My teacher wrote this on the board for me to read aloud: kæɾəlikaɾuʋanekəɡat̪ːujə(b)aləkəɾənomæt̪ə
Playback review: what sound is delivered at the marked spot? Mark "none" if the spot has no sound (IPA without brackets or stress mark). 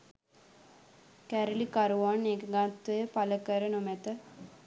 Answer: p